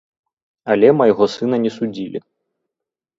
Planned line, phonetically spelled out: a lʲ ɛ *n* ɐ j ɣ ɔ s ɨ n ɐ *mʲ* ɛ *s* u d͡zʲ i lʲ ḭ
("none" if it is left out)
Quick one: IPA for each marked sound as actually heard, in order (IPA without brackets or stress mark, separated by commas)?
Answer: m, nʲ, s